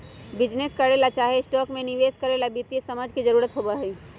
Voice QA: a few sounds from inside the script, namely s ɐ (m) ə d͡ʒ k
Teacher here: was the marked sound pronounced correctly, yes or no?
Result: yes